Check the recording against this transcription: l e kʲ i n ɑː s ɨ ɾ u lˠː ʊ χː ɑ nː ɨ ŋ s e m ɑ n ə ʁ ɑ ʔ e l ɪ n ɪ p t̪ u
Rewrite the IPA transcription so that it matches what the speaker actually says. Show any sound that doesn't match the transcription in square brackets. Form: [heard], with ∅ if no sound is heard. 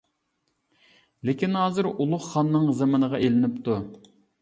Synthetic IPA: l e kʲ i n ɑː [z] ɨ ɾ u [lˠ] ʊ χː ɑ nː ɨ ŋ [z] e m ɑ n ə ʁ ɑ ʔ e l ɪ n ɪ p t̪ u